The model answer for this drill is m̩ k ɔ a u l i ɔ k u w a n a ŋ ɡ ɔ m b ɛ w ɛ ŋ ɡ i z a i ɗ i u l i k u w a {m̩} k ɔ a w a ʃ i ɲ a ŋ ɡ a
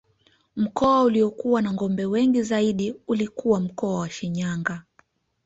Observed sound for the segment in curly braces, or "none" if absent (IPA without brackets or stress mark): m̩